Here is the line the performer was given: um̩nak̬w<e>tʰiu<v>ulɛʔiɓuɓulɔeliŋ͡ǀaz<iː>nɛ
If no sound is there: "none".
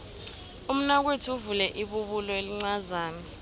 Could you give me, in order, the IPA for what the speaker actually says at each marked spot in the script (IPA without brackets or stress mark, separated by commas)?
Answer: e, v, aː